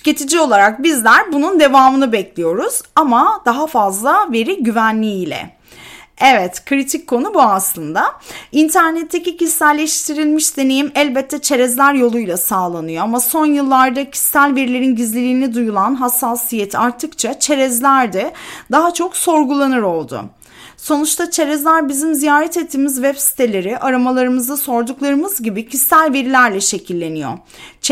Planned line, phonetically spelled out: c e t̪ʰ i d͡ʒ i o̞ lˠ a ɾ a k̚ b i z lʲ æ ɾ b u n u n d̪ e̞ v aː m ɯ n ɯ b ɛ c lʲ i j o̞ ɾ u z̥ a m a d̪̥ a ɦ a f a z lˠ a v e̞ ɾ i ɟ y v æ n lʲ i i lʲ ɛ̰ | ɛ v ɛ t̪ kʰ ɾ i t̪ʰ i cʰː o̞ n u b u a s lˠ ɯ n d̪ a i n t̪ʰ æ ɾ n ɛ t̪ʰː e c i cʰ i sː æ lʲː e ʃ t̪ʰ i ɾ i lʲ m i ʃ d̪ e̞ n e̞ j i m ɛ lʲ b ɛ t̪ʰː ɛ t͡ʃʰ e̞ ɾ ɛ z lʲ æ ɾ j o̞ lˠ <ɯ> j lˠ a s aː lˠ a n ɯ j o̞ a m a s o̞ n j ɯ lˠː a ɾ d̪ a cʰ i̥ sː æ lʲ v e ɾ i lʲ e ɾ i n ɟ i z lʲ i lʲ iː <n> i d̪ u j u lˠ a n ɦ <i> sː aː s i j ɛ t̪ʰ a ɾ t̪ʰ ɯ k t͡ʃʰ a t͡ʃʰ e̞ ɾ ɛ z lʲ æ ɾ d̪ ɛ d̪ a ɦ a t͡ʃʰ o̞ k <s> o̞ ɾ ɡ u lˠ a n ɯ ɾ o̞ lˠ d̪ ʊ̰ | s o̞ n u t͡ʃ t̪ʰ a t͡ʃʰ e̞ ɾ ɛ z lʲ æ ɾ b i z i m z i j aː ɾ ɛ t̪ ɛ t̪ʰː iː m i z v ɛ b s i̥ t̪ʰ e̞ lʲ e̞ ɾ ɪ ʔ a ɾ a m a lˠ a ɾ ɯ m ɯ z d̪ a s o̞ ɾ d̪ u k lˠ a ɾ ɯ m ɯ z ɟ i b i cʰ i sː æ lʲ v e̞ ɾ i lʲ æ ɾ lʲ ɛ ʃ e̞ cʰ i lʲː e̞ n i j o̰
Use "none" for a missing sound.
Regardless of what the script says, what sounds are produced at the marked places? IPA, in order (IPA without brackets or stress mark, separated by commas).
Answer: u, n, a, s